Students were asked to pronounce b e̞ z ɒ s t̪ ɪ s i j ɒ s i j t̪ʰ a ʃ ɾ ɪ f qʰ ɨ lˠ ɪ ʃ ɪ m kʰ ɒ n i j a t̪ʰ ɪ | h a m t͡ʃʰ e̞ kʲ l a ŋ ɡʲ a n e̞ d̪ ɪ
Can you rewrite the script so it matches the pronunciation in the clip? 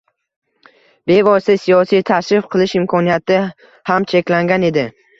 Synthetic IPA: b e̞ v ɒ s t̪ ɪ s i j ɒ s i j t̪ʰ a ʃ ɾ ɪ f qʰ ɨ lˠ ɪ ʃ ɪ m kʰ ɒ n i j a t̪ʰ ɪ | h a m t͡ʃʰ e̞ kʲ l a ŋ ɡʲ a n e̞ d̪ ɪ